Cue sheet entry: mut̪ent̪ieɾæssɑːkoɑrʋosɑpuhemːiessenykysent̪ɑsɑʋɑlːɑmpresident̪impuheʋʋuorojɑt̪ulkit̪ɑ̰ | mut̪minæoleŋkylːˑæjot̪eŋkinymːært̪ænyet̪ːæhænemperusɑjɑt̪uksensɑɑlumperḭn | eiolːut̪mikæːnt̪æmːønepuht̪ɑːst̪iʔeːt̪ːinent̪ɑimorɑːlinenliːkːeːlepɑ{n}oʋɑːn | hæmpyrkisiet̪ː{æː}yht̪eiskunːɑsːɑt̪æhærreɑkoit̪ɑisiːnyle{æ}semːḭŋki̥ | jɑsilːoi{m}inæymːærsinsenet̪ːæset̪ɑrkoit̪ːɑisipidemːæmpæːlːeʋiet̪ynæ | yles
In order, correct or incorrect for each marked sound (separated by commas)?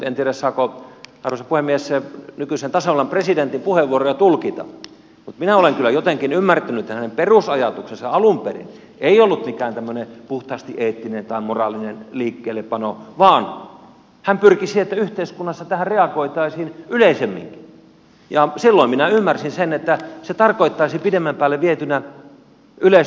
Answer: correct, incorrect, incorrect, correct